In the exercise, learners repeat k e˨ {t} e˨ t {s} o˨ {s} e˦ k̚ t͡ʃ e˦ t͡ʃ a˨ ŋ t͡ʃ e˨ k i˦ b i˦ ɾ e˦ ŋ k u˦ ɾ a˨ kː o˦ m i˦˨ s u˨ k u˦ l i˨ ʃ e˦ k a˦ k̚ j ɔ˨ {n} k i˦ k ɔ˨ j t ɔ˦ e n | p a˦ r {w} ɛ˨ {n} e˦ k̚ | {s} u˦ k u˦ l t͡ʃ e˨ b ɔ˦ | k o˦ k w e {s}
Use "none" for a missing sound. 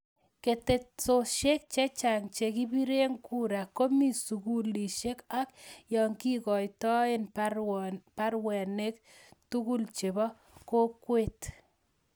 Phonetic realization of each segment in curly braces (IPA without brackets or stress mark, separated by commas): t, s, ʃ, ŋ, w, n, t, t